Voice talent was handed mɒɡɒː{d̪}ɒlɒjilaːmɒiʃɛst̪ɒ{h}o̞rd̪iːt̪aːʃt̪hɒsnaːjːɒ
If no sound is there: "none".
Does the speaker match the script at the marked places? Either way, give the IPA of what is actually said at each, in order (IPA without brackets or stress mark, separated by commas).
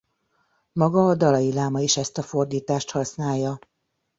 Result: d̪, f